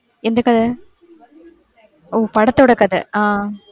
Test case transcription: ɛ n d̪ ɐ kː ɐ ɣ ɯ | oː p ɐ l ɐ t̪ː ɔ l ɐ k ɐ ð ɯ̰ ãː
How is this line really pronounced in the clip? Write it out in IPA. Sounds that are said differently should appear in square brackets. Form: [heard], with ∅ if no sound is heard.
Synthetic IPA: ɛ n d̪ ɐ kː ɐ [ð] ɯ | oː p ɐ [ɽ] ɐ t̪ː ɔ [ɽ] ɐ k ɐ ð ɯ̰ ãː